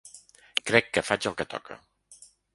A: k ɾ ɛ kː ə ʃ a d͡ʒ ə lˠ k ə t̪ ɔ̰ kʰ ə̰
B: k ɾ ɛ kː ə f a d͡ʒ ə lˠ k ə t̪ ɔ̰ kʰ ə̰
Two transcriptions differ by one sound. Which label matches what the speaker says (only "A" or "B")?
B